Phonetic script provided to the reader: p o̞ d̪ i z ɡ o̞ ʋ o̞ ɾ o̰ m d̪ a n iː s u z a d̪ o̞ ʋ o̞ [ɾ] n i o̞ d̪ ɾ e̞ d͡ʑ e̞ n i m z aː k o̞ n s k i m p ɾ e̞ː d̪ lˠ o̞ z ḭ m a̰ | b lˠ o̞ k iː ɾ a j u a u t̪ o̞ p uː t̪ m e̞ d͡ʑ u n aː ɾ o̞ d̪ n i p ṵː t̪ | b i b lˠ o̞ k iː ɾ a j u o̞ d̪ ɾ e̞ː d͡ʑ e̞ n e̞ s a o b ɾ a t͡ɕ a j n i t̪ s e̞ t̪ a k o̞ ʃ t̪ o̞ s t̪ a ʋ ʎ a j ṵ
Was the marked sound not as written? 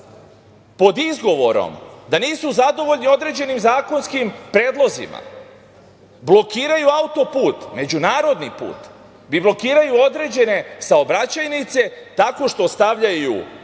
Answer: yes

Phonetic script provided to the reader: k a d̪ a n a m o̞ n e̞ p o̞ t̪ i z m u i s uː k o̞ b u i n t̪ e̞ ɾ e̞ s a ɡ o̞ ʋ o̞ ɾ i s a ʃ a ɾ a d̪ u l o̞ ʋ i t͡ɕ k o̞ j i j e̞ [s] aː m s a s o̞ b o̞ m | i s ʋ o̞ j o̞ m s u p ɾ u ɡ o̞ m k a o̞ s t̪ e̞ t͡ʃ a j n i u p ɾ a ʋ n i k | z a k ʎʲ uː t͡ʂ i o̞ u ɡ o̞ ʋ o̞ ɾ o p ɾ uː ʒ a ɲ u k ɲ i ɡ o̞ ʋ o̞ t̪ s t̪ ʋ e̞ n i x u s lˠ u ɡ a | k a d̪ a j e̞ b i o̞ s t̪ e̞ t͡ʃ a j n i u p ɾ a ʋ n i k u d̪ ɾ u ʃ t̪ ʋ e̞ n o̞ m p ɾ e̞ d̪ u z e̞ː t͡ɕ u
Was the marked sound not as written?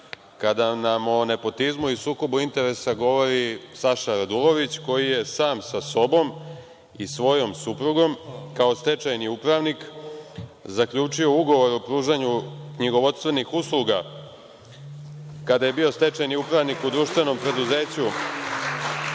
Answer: no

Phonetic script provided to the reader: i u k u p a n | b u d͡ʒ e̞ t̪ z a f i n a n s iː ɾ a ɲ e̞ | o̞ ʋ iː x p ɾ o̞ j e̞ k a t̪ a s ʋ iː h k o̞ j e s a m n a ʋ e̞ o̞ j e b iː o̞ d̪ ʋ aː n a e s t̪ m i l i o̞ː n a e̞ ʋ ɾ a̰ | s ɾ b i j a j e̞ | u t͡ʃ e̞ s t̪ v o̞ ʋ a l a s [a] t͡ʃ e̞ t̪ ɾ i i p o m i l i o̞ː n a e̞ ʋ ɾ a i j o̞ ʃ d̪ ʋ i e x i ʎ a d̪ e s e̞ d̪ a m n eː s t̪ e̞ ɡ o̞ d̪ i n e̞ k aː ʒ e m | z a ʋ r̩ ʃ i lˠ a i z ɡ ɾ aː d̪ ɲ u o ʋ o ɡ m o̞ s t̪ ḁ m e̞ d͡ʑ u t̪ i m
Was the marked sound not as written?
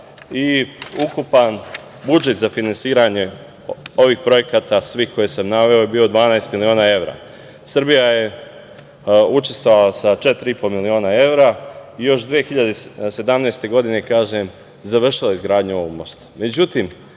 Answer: no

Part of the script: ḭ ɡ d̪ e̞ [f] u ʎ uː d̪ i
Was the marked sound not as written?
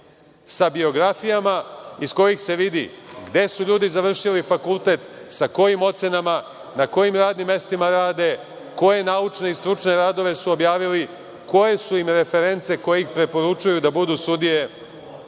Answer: yes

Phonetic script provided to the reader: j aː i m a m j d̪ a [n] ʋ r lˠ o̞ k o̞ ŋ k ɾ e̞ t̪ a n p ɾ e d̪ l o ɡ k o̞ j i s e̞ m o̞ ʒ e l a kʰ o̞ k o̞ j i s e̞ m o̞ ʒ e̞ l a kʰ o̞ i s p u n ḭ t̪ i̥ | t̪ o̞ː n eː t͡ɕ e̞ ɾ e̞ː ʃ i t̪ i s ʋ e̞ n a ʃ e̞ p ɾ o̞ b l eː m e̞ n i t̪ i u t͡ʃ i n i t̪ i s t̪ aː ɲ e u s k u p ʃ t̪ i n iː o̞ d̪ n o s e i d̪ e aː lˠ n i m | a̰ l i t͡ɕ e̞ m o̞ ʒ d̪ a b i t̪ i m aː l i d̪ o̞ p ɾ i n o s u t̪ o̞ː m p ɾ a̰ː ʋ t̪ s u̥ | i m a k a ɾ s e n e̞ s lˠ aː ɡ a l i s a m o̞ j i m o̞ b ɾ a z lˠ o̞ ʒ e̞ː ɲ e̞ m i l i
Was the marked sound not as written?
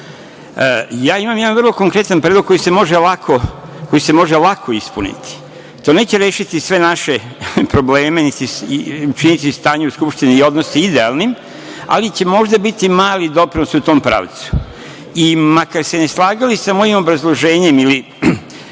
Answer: no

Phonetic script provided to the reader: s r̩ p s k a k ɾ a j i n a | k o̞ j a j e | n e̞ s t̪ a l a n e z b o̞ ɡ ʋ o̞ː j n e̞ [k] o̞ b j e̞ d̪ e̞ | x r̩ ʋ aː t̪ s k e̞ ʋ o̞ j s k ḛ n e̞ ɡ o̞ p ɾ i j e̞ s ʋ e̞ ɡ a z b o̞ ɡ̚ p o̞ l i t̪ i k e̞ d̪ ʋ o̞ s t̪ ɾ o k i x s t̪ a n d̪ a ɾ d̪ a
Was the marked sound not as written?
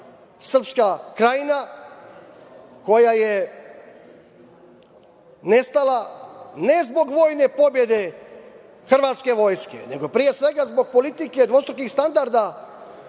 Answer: yes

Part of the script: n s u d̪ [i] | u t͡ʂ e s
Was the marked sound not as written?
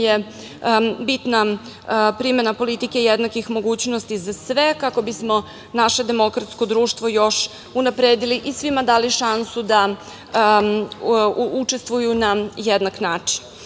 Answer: yes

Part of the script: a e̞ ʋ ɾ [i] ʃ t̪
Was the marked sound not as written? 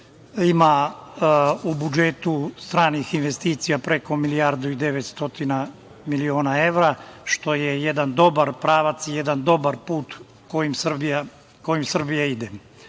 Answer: yes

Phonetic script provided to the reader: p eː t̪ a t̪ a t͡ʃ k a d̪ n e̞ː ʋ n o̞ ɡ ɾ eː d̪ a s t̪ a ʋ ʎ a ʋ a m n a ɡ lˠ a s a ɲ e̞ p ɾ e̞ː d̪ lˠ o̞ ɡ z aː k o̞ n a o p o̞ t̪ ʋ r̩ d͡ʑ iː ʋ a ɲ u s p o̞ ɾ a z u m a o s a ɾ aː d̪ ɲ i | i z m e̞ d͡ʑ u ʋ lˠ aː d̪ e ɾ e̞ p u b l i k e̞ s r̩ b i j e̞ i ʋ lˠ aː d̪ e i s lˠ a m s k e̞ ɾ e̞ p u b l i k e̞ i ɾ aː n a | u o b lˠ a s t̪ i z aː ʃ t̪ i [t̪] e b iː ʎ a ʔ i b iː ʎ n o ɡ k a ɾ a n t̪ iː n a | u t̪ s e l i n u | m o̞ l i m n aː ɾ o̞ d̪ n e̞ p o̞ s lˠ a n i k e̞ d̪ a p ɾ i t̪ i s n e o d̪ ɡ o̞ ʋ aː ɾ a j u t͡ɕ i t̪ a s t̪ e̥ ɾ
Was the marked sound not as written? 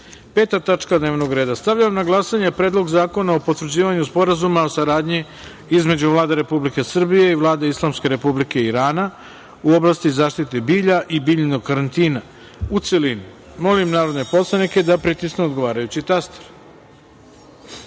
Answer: no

